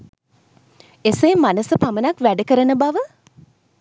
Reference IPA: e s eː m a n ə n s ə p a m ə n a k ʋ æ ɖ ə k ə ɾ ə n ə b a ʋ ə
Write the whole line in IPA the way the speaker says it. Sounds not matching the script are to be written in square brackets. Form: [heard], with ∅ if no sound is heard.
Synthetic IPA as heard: e s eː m a n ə [∅] s ə p a m ə n a k ʋ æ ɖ ə k ə ɾ ə n ə b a ʋ ə